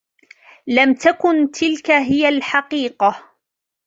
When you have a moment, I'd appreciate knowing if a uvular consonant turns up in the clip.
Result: yes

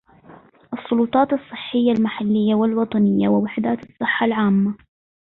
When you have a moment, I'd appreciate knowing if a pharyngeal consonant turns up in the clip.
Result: yes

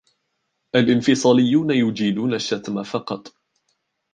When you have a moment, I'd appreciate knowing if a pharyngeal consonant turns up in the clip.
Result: no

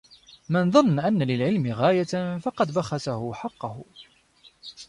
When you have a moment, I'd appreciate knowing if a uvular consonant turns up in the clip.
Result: yes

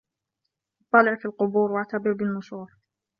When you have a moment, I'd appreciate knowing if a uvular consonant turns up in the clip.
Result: yes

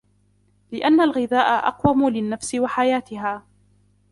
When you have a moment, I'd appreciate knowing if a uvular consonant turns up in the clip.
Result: yes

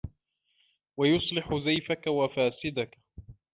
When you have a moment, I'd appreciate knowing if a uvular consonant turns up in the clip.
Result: no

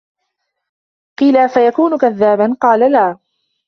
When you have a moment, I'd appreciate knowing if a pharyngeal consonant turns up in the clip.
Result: no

